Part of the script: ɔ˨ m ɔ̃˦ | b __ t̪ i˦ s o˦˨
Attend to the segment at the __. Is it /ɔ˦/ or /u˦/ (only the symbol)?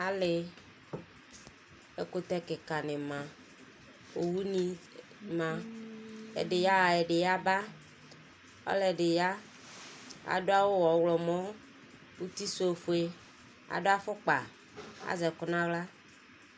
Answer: u˦